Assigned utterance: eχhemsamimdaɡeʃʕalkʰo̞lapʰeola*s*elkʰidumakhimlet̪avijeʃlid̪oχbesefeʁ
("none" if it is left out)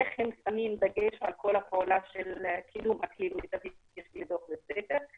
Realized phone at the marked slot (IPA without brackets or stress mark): ʃ